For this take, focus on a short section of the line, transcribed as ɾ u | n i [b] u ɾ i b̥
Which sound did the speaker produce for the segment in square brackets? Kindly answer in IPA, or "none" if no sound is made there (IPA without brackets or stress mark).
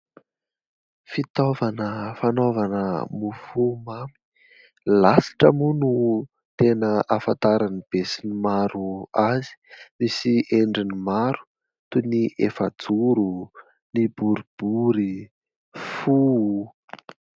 b